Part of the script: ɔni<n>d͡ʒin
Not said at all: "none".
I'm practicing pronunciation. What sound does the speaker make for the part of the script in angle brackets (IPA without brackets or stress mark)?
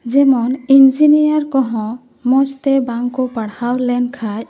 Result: n